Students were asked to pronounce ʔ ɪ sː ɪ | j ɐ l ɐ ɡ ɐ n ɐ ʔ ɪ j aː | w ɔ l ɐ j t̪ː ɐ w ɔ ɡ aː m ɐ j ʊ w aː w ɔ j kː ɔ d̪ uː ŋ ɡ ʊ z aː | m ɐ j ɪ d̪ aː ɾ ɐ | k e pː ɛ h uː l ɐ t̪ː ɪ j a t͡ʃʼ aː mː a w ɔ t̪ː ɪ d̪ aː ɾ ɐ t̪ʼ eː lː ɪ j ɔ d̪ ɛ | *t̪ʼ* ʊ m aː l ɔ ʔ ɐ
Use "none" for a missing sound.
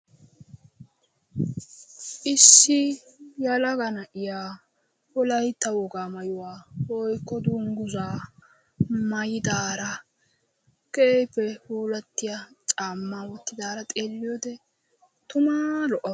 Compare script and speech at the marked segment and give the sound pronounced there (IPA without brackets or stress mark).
t̪